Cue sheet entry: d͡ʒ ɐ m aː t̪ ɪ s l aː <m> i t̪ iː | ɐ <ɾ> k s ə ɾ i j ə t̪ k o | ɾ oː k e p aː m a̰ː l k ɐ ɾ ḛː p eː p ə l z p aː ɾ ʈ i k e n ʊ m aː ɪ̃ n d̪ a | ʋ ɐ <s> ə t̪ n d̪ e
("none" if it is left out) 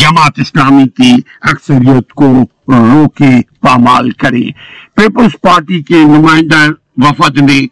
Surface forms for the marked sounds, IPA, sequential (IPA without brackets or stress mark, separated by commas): m, none, f